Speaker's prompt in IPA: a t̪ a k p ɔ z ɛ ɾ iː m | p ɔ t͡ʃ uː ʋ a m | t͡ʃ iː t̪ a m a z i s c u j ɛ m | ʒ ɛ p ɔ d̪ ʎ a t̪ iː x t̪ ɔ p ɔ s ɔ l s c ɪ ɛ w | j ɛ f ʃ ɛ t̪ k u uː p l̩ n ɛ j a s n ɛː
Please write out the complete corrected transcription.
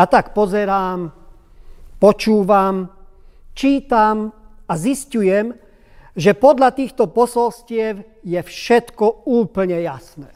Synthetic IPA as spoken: a t̪ a k p ɔ z ɛ ɾ aː m | p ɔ t͡ʃ uː ʋ a m | t͡ʃ iː t̪ a m a z i s c u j ɛ m | ʒ ɛ p ɔ d̪ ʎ a t̪ iː x t̪ ɔ p ɔ s ɔ l s c ɪ ɛ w | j ɛ f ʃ ɛ t̪ k ɔ uː p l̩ ɲ ɛ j a s n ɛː